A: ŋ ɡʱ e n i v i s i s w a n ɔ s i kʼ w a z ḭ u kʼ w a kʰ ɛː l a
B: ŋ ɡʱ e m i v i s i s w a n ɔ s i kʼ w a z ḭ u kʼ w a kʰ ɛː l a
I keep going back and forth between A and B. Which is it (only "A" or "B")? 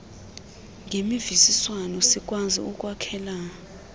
B